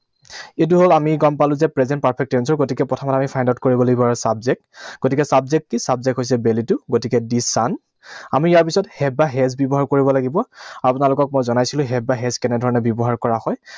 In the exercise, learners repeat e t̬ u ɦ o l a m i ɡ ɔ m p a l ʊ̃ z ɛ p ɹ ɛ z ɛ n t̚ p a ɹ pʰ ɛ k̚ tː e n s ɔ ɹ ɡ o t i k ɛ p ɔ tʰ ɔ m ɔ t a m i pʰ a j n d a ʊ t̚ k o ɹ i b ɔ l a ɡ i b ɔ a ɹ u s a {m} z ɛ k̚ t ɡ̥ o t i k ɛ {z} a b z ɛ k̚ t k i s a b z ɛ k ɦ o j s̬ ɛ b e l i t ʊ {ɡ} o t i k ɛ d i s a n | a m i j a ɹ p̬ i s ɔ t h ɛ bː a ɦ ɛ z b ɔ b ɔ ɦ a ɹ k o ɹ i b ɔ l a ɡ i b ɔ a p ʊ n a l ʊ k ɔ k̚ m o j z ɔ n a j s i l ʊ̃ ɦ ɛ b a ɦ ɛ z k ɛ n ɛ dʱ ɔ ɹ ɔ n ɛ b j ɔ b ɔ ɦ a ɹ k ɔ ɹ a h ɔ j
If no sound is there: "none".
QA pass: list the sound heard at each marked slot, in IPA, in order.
b, s, ɡ

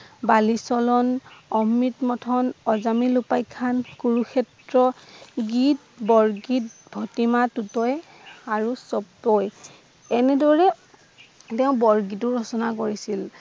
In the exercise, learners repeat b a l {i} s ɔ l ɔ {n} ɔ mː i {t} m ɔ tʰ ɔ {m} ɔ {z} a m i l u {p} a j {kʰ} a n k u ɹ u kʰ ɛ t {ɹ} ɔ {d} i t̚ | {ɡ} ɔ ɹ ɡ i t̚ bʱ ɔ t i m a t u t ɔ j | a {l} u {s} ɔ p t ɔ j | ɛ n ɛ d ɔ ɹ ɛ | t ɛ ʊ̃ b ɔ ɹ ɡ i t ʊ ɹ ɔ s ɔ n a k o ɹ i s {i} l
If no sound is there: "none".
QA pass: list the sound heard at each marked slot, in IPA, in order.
i, n, t, n, z, p, kʰ, ɹ, ɡ, b, ɹ, s, i

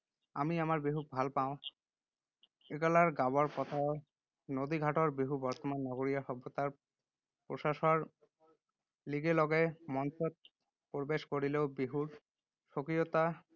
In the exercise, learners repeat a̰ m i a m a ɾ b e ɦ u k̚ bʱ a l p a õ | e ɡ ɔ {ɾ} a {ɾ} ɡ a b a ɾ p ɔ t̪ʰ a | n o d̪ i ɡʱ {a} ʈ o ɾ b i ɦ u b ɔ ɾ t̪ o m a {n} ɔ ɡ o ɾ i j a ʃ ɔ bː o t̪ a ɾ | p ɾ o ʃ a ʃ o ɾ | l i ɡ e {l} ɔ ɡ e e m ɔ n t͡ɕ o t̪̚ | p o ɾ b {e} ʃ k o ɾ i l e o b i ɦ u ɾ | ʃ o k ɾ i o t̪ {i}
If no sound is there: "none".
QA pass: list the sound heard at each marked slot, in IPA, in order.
l, ɾ, a, nː, l, e, a

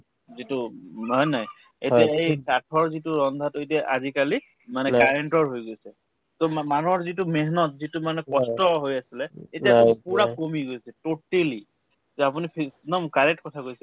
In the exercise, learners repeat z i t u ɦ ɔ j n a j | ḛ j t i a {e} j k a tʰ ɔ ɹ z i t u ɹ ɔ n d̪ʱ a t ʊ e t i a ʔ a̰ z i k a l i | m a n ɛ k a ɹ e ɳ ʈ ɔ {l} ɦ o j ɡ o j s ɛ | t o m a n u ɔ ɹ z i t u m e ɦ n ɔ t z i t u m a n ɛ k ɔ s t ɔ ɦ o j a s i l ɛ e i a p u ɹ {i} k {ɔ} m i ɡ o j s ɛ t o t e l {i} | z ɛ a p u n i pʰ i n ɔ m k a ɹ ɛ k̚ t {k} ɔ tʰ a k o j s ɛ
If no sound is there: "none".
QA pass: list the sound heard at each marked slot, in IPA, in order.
e, ɹ, a, o, i, k

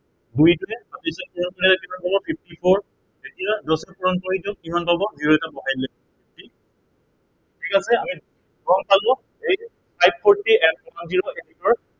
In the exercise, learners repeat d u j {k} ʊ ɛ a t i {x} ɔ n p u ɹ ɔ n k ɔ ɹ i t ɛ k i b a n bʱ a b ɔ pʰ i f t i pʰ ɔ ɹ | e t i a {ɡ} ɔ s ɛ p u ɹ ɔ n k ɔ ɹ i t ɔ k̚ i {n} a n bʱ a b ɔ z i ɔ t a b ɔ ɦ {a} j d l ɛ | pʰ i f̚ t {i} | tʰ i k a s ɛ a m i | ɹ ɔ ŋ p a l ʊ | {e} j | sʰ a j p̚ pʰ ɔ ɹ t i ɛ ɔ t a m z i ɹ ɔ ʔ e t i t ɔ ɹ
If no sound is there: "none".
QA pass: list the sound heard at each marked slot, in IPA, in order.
t, s, d, m, a, i, e

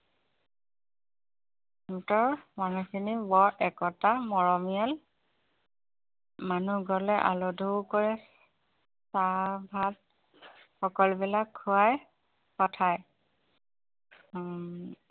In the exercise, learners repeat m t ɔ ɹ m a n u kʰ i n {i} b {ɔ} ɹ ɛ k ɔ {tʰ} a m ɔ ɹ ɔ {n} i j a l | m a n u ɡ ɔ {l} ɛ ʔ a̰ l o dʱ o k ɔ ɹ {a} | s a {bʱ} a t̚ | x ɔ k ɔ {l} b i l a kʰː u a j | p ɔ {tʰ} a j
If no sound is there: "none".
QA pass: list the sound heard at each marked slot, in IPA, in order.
i, ɔ, t, m, l, ɛ, bʱ, l, tʰ

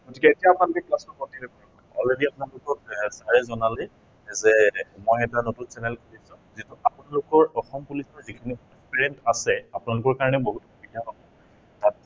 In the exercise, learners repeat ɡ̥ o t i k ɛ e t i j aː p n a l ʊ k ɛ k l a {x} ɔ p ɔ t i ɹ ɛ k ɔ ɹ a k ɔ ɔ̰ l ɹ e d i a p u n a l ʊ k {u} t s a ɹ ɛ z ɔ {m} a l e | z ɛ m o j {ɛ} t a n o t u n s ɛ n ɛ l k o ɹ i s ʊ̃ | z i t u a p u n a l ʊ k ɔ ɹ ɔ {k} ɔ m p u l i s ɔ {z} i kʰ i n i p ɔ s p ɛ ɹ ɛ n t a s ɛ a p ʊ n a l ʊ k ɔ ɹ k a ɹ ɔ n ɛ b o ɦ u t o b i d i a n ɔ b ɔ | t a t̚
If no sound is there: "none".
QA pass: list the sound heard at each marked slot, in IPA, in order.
s, ɔ, n, ɛ, x, z

